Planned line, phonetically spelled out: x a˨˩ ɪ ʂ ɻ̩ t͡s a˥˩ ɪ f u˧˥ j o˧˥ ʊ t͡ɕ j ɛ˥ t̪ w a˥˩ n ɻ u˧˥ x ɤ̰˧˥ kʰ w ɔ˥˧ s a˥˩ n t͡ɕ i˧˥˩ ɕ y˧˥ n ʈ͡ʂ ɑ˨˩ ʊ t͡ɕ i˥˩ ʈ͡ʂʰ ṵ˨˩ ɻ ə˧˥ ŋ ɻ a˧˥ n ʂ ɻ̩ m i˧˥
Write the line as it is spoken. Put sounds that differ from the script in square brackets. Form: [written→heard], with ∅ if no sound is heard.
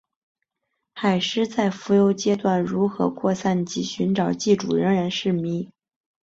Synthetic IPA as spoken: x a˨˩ ɪ ʂ ɻ̩ t͡s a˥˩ ɪ f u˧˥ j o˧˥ ʊ t͡ɕ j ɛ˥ t̪ w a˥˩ n ɻ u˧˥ x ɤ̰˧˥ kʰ w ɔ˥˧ s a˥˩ n t͡ɕ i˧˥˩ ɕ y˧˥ n ʈ͡ʂ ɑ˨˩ ʊ t͡ɕ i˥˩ [ʈ͡ʂʰ→ʈ͡ʂ] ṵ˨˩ ɻ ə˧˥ ŋ ɻ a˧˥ n ʂ ɻ̩ m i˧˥